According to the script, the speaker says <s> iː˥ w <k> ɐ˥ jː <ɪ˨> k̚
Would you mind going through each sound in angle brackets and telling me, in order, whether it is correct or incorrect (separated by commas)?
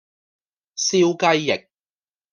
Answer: correct, correct, correct